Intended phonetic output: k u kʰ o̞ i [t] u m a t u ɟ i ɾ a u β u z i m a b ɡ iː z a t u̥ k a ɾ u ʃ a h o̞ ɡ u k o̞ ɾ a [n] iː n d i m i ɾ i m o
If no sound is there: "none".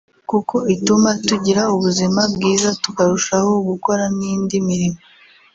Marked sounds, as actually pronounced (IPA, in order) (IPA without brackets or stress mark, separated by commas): t, n